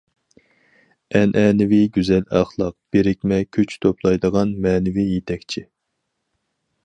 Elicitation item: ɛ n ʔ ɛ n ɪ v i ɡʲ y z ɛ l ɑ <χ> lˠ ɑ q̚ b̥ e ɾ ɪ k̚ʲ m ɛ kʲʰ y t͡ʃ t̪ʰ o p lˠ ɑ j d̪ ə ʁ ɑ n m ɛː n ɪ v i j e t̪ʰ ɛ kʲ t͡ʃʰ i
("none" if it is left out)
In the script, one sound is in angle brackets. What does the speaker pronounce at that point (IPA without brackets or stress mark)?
χ